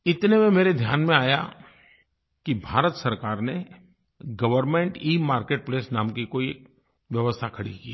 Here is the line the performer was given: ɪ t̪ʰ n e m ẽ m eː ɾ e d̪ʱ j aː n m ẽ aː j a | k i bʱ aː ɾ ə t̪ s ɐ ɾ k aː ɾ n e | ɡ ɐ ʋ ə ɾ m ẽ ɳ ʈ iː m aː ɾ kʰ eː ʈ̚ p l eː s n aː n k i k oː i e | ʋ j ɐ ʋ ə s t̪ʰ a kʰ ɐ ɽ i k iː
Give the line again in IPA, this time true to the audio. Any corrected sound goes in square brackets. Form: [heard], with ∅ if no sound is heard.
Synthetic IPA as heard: ɪ [t̪] n e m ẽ m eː ɾ e d̪ʱ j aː n m ẽ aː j a | k i bʱ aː ɾ ə t̪ s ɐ ɾ k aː ɾ n e | ɡ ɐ ʋ ə ɾ m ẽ ɳ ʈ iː m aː ɾ [k] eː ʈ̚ p l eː s n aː [m] k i k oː i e | ʋ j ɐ ʋ ə s t̪ʰ a kʰ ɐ ɽ i k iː